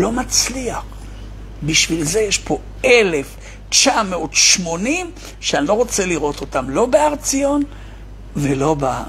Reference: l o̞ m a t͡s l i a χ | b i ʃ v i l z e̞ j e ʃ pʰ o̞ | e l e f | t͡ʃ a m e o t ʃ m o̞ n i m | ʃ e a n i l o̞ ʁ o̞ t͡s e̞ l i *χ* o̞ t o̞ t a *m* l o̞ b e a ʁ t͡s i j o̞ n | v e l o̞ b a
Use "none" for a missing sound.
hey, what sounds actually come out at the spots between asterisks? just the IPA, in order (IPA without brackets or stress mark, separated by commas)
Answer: ʁ, m